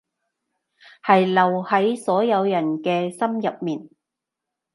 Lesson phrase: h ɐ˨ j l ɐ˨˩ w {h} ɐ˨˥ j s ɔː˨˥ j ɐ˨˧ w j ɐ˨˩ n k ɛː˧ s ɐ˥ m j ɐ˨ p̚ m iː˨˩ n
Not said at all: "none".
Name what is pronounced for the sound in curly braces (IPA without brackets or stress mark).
h